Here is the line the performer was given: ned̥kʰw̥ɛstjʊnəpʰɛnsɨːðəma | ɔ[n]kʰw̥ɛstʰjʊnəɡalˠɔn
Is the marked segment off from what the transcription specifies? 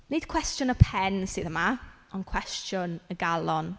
no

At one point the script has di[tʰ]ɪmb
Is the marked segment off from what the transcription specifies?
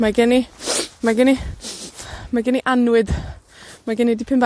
yes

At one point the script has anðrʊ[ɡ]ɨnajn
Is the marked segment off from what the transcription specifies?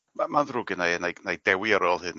no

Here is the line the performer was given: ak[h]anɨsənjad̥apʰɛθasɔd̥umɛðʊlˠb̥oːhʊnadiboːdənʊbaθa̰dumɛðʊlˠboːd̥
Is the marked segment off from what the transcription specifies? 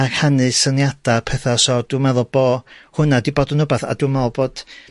no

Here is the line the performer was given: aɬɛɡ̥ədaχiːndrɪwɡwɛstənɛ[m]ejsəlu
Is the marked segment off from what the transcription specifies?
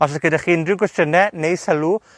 yes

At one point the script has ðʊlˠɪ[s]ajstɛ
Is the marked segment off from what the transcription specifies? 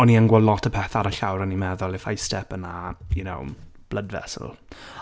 yes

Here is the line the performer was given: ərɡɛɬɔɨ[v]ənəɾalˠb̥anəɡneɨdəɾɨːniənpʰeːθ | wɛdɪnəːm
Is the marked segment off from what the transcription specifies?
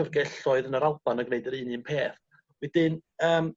yes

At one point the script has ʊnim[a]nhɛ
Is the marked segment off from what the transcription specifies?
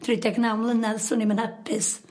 yes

